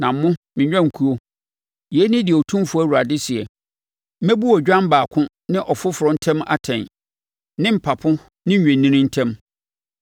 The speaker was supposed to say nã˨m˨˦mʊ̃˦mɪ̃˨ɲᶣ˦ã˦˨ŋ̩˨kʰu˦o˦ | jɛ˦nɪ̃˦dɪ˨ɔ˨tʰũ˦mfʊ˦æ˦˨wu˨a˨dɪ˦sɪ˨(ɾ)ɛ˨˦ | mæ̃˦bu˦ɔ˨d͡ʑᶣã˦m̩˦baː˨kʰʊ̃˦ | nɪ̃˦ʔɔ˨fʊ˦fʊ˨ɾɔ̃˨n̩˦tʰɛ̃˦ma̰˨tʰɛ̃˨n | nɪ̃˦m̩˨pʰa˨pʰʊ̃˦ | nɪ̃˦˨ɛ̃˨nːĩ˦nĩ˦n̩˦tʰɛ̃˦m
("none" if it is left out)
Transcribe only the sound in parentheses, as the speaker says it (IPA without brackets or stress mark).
none